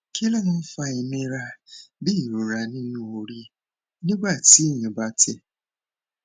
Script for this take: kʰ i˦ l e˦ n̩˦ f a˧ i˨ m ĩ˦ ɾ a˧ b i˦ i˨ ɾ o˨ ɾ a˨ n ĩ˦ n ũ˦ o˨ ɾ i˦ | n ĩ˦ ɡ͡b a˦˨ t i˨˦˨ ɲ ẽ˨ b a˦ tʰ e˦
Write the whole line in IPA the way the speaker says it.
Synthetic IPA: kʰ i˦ l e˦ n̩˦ f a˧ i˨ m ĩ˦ ɾ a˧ b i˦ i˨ ɾ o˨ ɾ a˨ n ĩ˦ n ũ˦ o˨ ɾ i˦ | n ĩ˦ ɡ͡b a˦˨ t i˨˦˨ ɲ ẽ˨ b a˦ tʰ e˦